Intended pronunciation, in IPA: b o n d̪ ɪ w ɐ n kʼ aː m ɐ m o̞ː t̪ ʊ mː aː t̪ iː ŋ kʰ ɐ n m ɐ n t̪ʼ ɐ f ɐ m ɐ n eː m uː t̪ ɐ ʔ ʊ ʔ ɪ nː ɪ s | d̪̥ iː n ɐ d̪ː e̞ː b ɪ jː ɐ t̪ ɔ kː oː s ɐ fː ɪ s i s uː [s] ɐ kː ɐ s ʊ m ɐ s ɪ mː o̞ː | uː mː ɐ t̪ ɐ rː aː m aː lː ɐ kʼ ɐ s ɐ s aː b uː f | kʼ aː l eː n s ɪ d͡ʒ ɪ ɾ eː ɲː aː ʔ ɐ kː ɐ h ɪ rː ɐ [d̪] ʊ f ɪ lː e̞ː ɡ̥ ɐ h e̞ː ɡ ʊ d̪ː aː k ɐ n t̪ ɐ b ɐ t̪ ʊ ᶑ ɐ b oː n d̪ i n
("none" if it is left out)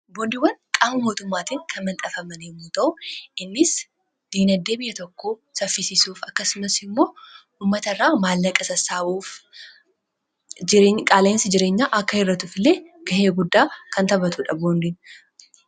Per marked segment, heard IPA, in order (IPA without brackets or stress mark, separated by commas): f, t̪